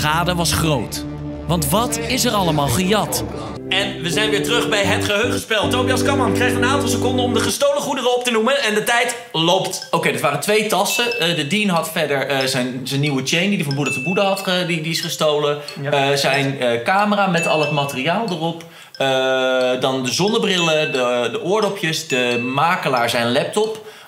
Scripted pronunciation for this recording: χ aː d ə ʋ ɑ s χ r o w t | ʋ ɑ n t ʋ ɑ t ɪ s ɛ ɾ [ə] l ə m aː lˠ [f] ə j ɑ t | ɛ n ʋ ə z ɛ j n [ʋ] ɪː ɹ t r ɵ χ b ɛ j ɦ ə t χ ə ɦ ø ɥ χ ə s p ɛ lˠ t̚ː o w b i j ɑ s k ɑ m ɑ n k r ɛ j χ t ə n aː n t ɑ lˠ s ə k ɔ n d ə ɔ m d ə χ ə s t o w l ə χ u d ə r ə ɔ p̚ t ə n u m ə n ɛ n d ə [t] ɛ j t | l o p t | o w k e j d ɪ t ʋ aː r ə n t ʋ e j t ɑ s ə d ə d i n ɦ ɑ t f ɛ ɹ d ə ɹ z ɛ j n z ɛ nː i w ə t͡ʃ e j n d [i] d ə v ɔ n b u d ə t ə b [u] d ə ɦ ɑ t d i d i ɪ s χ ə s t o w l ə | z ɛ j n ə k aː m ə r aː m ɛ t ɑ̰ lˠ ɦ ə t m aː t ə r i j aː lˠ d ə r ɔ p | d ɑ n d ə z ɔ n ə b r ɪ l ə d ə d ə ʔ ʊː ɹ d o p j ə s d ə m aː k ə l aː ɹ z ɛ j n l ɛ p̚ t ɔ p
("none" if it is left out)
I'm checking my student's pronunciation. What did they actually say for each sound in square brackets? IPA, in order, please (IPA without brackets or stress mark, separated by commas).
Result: ɑ, χ, ʋ, t, i, u